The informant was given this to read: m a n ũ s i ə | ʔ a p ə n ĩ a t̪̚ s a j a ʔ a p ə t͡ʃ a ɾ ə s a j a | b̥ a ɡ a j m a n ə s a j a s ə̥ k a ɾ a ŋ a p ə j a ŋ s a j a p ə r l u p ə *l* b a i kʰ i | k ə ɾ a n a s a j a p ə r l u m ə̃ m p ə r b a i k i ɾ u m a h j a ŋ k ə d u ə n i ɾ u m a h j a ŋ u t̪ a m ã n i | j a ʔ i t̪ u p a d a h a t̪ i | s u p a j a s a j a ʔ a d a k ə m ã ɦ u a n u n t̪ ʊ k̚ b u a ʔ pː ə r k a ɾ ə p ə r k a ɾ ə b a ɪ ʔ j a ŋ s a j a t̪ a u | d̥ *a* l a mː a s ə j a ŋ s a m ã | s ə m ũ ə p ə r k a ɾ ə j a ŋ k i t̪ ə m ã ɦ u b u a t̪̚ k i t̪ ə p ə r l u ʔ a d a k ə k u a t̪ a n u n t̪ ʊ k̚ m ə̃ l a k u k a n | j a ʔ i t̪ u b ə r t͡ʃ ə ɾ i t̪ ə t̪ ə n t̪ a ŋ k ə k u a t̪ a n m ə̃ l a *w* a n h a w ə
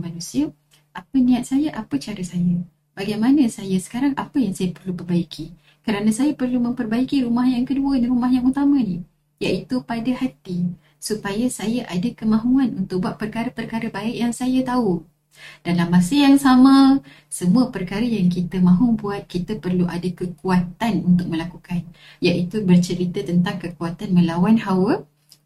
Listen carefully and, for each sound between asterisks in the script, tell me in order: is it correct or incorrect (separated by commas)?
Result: incorrect, correct, correct